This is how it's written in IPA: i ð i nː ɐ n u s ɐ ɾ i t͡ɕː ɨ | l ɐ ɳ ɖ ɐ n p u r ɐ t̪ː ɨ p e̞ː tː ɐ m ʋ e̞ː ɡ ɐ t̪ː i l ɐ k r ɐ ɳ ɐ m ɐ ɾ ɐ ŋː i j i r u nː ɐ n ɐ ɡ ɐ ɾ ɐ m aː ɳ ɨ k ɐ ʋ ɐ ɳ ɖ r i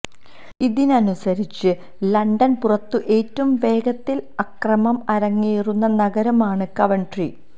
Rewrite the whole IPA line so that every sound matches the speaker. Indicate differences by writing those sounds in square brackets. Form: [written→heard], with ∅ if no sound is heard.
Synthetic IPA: i ð i [nː→n] ɐ n u s ɐ ɾ i t͡ɕː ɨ | l ɐ ɳ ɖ ɐ n p u r ɐ t̪ː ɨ [p→ʔ] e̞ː tː ɐ m ʋ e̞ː ɡ ɐ t̪ː i l ɐ k r ɐ [ɳ→m] ɐ m ɐ ɾ ɐ ŋː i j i r u nː ɐ n ɐ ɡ ɐ ɾ ɐ m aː ɳ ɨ k ɐ ʋ ɐ ɳ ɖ r i